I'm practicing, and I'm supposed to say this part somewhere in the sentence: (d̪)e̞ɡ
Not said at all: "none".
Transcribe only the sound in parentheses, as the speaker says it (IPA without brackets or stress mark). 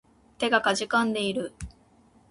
t̪